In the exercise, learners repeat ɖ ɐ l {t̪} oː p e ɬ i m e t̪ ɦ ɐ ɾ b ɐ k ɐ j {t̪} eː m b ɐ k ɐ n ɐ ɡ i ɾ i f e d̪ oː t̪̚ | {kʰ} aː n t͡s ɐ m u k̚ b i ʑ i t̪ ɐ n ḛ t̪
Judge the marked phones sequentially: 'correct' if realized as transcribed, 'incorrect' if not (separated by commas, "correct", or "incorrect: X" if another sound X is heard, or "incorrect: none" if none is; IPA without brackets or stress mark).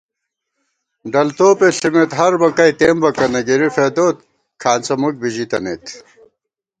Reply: correct, correct, correct